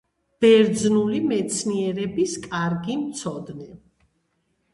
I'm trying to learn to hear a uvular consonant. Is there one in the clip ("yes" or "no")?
no